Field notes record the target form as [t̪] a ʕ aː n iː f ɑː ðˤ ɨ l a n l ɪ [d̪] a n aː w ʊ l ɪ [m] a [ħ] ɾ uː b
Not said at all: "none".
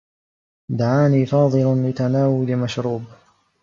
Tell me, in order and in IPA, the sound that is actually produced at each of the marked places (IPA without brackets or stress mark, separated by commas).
d̪, t̪, m, ʃ